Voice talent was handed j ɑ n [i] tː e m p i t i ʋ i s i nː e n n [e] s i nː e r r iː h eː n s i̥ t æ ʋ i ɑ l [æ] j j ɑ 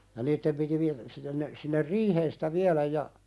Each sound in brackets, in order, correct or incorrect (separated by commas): incorrect, correct, correct